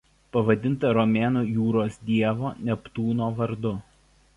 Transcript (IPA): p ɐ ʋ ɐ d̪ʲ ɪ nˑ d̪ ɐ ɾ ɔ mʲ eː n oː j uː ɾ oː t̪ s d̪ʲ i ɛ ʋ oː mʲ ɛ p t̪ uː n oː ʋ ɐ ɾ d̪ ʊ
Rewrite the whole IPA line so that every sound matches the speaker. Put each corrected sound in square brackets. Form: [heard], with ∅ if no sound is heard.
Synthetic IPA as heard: p ɐ ʋ ɐ d̪ʲ ɪ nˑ [t̪] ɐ ɾ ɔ mʲ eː n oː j uː ɾ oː [∅] s d̪ʲ i ɛ ʋ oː [nʲ] ɛ p t̪ uː n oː ʋ ɐ ɾ d̪ ʊ